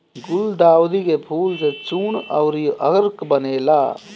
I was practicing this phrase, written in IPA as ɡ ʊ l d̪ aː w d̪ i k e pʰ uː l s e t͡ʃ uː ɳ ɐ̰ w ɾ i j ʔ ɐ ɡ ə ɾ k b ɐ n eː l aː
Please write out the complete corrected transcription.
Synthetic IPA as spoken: ɡ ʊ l d̪ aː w d̪ i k e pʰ uː l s e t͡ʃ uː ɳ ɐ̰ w ɾ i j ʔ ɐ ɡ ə ɾ k b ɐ n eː l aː